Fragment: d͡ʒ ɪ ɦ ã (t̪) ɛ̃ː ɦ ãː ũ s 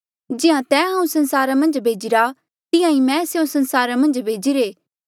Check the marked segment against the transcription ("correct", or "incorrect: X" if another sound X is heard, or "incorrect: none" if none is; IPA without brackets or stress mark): correct